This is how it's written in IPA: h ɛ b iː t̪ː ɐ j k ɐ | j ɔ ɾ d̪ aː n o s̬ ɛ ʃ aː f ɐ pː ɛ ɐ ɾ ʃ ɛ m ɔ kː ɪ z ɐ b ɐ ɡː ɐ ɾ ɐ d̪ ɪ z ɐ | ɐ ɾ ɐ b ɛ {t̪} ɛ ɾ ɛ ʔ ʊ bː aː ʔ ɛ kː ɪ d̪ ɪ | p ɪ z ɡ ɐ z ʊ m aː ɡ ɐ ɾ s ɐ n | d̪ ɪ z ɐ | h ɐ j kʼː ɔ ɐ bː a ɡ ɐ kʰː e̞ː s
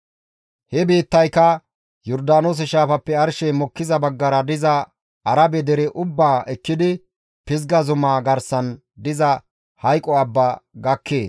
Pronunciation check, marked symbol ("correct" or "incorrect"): incorrect